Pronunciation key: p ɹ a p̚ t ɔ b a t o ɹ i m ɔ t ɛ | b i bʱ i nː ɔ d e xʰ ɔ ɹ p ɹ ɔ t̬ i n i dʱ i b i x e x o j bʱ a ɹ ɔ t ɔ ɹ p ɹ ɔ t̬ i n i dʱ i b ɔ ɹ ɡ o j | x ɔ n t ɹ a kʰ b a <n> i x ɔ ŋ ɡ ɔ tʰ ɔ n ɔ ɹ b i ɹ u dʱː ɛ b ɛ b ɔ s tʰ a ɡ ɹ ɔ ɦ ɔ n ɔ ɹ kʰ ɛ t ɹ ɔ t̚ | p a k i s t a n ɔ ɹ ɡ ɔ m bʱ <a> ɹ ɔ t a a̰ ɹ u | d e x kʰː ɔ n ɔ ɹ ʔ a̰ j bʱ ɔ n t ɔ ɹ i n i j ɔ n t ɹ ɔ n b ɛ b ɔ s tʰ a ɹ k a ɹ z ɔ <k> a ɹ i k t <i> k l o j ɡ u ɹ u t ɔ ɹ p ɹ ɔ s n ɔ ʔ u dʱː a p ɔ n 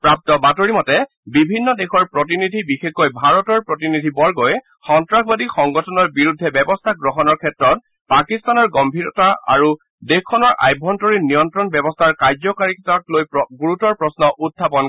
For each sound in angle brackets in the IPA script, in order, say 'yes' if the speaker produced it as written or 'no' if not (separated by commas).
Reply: no, no, yes, no